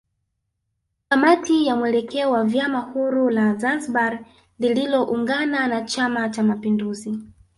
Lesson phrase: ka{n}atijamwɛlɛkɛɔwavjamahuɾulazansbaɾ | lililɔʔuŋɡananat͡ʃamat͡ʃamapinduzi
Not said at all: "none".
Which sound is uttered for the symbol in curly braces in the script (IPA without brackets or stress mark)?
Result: m